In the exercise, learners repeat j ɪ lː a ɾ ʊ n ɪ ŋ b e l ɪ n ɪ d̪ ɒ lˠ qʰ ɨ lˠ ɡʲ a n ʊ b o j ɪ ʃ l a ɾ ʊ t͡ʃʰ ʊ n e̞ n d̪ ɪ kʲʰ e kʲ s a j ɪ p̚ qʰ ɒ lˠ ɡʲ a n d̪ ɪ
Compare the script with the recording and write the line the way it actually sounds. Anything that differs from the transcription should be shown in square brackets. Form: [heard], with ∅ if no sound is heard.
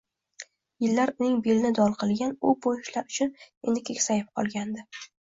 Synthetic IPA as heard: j ɪ lː a ɾ ʊ n ɪ ŋ b e l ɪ n ɪ d̪ ɒ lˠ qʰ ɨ lˠ ɡʲ a n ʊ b o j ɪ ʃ l a ɾ ʊ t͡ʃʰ ʊ n e̞ n d̪ ɪ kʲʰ e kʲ s a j ɪ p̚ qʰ ɒ lˠ ɡʲ a n d̪ ɪ